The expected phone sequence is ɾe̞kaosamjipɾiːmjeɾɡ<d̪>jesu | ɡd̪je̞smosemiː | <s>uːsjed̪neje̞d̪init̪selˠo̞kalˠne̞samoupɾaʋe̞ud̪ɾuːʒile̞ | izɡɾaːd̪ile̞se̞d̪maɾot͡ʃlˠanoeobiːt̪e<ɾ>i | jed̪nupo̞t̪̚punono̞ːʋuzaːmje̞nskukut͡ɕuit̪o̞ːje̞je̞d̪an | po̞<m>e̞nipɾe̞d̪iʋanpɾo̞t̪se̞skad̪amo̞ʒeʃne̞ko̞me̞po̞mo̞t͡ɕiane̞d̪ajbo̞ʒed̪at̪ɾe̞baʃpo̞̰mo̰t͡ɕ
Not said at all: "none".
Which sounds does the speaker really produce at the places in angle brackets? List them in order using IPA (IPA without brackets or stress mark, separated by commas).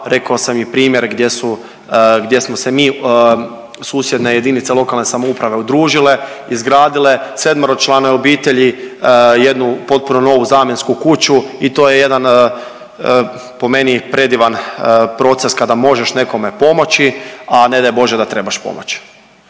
d̪, s, ʎ, m